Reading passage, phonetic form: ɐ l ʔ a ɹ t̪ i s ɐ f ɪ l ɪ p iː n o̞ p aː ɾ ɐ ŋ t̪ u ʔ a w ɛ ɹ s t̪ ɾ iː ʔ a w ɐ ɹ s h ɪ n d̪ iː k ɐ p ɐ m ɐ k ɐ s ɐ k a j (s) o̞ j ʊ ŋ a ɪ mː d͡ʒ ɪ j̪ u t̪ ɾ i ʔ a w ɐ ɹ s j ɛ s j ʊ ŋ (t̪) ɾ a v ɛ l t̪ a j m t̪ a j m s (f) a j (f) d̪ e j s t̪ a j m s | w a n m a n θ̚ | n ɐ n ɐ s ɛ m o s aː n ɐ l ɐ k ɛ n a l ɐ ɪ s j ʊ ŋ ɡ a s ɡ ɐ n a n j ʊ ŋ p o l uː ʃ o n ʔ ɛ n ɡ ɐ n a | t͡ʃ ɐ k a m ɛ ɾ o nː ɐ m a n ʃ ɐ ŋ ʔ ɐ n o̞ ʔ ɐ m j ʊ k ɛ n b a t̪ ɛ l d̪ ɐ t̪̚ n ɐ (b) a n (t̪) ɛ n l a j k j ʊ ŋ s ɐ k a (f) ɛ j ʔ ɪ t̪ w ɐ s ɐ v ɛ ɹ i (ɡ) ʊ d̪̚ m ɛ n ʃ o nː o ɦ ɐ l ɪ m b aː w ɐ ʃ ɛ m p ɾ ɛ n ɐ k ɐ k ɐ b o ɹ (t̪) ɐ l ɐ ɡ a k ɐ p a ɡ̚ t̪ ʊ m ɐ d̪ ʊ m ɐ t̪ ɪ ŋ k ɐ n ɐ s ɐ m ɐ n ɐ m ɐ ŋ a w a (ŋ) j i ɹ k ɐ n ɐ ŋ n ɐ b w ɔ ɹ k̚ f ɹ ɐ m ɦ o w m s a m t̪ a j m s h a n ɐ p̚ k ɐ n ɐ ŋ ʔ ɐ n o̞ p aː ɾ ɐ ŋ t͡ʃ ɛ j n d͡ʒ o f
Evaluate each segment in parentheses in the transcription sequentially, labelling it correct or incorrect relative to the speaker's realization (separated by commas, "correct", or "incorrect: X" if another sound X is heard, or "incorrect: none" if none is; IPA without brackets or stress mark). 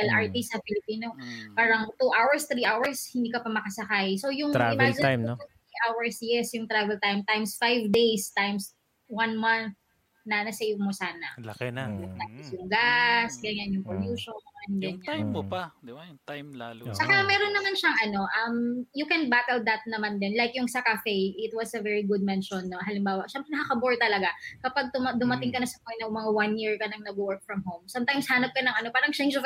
correct, correct, correct, incorrect: v, incorrect: m, incorrect: d̪, correct, correct, correct, incorrect: n